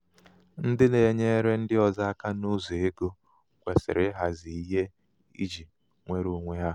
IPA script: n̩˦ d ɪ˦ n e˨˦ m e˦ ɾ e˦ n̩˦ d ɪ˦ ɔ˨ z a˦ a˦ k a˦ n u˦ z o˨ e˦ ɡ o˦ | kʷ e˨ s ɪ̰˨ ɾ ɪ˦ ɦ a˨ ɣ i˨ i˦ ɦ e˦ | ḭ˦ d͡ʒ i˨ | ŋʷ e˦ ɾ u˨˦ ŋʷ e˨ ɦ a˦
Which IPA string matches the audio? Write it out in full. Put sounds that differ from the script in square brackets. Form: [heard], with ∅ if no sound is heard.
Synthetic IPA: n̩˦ d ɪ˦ n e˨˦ [ɲ] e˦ ɾ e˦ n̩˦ d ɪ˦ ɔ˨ z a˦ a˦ k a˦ n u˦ z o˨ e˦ ɡ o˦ | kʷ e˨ s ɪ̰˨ ɾ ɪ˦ ɦ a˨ [z] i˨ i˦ ɦ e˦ | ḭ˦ d͡ʒ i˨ | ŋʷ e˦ ɾ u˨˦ ŋʷ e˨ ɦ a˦

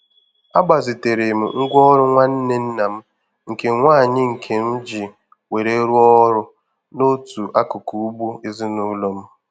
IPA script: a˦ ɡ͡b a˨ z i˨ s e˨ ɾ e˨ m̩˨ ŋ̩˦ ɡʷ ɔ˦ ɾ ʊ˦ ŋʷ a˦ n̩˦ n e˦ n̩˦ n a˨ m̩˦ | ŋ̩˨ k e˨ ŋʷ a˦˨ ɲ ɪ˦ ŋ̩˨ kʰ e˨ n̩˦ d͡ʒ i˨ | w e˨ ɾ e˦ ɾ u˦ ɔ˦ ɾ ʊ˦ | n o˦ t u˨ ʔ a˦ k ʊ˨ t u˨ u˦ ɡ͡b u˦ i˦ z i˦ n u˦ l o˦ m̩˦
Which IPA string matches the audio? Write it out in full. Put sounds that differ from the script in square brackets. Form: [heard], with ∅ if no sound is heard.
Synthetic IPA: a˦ ɡ͡b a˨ z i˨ [t] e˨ ɾ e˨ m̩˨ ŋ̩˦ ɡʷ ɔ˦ ɾ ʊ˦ ŋʷ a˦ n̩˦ n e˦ n̩˦ n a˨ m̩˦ | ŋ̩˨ k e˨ ŋʷ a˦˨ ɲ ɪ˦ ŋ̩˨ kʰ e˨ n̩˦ d͡ʒ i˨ | w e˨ ɾ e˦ ɾ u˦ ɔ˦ ɾ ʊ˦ | n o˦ t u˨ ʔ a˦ k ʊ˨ [k] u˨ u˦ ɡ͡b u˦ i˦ z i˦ n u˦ l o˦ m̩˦

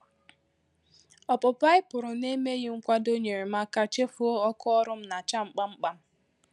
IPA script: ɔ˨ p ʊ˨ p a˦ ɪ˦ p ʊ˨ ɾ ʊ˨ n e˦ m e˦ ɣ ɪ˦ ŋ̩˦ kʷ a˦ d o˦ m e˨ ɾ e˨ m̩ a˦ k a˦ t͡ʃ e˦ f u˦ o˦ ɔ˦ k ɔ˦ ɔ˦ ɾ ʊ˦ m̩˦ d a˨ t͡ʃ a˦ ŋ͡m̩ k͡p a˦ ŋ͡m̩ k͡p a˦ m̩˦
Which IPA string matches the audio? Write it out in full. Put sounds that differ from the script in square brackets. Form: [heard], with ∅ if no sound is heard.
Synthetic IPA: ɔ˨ p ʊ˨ p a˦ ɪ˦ p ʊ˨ ɾ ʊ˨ n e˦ m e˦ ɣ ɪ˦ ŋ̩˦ kʷ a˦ d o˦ [ɲ] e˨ ɾ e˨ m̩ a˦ k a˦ t͡ʃ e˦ f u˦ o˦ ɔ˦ k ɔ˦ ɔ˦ ɾ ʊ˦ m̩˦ [n] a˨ t͡ʃ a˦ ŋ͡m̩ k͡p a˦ ŋ͡m̩ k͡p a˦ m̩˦

